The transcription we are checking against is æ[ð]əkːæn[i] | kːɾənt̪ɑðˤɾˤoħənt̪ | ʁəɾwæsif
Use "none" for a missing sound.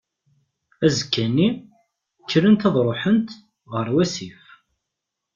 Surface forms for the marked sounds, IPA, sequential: z, i

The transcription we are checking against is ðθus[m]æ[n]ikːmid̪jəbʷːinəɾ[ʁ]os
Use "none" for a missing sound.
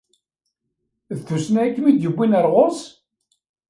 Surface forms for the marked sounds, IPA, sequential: n, none, ʁ

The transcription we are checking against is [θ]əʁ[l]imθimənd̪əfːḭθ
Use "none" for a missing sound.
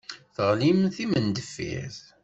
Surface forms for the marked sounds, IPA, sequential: θ, l

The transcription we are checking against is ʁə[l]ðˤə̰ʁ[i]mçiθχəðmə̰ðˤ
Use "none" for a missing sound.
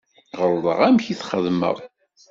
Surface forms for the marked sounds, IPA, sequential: ɾ, æ

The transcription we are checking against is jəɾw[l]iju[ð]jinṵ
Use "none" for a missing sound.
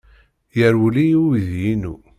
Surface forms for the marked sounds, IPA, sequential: l, ð

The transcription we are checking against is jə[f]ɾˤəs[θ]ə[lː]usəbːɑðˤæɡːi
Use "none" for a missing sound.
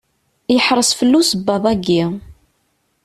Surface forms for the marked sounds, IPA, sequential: ħ, f, lː

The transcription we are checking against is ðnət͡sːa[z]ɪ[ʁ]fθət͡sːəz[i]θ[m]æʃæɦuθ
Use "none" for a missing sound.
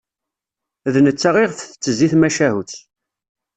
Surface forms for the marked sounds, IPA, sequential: ʁ, ʁ, i, m

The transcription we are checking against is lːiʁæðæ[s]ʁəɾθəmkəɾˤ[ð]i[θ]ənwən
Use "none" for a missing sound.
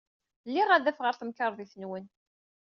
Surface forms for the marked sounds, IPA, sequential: f, ð, θ

